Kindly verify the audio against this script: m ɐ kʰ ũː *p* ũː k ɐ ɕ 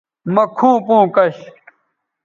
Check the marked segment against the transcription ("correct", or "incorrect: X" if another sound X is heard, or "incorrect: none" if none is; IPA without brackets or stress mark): correct